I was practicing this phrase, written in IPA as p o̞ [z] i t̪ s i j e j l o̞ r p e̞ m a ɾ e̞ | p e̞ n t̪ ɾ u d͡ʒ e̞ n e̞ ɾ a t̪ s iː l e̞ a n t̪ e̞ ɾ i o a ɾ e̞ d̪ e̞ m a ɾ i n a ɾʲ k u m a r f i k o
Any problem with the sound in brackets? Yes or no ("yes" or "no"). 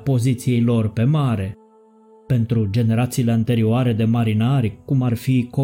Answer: no